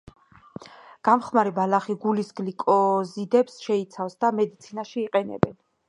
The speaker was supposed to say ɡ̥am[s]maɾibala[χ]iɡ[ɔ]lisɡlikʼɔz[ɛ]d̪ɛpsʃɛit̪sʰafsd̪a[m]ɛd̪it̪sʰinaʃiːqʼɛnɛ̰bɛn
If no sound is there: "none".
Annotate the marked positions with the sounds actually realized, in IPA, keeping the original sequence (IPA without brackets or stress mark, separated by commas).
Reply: χ, χ, u, i, m